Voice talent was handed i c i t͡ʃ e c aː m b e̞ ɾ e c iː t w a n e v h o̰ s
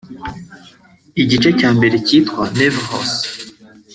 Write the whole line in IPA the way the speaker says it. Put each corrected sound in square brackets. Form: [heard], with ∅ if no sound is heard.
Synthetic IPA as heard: i [ɟ] i t͡ʃ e c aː m b e̞ ɾ e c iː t w a n e v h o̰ s